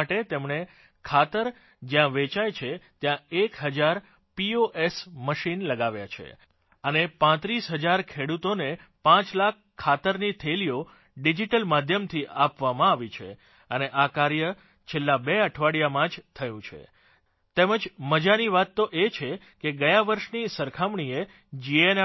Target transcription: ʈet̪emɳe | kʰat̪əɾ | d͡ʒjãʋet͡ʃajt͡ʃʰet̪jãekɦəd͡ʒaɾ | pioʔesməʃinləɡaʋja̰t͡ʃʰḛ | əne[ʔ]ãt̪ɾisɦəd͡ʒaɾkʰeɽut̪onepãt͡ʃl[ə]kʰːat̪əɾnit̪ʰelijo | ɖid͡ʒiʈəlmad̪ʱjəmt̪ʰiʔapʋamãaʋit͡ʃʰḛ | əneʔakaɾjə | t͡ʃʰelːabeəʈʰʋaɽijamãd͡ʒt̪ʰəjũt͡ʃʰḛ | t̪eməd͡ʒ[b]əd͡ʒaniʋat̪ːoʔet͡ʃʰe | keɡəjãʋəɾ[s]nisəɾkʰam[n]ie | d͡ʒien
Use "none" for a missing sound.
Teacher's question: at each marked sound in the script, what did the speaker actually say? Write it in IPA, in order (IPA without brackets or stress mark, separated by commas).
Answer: p, a, m, ʃ, ɳ